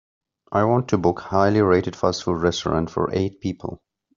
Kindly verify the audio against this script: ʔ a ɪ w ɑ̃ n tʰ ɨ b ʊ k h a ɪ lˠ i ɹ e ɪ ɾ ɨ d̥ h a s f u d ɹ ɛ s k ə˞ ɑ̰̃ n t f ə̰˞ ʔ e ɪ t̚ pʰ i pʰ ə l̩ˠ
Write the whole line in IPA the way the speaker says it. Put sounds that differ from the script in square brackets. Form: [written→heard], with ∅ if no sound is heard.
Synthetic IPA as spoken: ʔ a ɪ w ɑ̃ n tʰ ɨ b ʊ k h a ɪ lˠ i ɹ e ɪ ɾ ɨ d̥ [h→f] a s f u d ɹ ɛ s [k→t] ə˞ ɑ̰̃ n t f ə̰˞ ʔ e ɪ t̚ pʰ i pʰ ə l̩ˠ